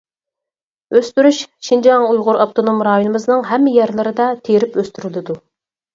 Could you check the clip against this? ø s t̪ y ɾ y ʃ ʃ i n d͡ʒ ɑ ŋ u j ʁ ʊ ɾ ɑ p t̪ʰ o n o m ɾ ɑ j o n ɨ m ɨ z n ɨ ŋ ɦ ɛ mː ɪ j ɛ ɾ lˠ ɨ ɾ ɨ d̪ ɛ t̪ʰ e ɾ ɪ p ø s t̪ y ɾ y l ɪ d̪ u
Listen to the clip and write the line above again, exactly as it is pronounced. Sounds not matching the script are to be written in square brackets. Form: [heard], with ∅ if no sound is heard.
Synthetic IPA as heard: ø s t̪ y ɾ y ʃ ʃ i n d͡ʒ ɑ ŋ u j ʁ ʊ ɾ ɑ p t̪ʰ o n o m ɾ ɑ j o n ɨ m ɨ z n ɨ ŋ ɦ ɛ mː ɪ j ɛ ɾ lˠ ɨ ɾ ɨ d̪ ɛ t̪ʰ e ɾ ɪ p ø s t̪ y ɾ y l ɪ d̪ u

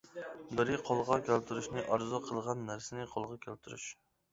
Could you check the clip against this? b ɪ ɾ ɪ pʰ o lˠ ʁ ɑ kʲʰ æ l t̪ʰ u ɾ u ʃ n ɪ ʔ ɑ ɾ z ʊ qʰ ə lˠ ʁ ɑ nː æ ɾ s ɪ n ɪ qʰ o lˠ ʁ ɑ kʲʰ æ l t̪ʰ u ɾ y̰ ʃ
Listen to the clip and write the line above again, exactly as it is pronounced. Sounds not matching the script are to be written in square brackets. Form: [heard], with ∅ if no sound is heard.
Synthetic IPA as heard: b ɪ ɾ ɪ [qʰ] o lˠ ʁ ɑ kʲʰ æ l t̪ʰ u ɾ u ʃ n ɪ ʔ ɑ ɾ z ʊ qʰ ə lˠ ʁ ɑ nː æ ɾ s ɪ n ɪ qʰ o lˠ ʁ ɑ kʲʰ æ l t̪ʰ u ɾ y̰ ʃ

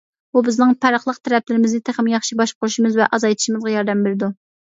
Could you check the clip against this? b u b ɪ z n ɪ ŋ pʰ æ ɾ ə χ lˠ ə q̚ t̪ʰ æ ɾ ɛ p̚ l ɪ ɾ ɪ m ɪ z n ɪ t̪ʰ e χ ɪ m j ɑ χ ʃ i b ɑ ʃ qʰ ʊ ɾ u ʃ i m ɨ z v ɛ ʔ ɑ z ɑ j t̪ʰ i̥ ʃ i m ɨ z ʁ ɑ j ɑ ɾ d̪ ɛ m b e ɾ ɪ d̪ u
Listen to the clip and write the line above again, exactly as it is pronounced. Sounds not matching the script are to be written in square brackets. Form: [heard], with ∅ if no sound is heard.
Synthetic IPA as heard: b u b ɪ z n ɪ ŋ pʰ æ ɾ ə χ lˠ ə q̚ t̪ʰ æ ɾ ɛ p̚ l ɪ ɾ ɪ m ɪ z n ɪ t̪ʰ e χ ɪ m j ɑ χ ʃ i b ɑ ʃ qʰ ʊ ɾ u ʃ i m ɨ z v ɛ ʔ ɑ z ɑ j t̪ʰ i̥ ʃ i m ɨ z ʁ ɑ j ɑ ɾ d̪ ɛ m b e ɾ ɪ d̪ u

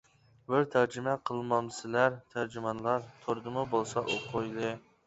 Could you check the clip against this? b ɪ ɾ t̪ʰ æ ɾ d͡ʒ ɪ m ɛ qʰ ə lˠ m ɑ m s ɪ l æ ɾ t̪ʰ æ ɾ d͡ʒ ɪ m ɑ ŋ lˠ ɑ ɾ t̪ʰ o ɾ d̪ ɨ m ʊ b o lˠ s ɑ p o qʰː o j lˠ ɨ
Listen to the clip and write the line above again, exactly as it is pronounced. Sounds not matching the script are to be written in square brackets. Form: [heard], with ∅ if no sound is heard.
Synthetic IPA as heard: b ɪ ɾ t̪ʰ æ ɾ d͡ʒ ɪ m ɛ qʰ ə lˠ m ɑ m s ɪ l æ ɾ t̪ʰ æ ɾ d͡ʒ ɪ m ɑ [n] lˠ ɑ ɾ t̪ʰ o ɾ d̪ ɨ m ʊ b o lˠ s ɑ [ʔ] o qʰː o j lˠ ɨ

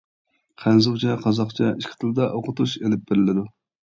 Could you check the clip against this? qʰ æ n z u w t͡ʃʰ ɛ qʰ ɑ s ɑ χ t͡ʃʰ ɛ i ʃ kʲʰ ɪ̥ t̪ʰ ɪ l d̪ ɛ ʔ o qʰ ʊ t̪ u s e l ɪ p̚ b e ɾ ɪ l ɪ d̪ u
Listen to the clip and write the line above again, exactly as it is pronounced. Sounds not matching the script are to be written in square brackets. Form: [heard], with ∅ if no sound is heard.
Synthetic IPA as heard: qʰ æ n z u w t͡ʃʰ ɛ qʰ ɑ [z] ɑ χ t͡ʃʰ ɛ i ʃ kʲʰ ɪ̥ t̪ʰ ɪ l d̪ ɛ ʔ o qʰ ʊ t̪ u [ʃ] e l ɪ p̚ b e ɾ ɪ l ɪ d̪ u

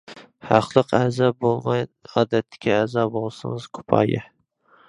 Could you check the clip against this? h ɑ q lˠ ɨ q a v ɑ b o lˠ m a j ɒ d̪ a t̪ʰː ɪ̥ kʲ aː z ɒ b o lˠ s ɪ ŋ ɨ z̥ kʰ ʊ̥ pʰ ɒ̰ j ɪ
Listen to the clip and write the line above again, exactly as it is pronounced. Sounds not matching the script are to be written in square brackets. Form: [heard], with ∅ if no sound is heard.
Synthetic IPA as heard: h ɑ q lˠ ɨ q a [z] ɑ b o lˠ m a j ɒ d̪ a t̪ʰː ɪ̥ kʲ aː z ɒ b o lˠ s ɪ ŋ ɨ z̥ kʰ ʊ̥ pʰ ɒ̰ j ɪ

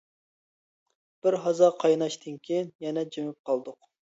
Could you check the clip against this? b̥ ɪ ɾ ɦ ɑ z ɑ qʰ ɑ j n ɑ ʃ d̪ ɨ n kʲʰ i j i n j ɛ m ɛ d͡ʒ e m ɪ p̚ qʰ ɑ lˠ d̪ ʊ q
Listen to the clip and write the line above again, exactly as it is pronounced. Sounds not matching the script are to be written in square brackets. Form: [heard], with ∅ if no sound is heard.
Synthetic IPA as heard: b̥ ɪ ɾ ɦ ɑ z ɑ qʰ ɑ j n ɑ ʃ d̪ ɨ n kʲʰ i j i n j ɛ [n] ɛ d͡ʒ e m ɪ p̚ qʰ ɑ lˠ d̪ ʊ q

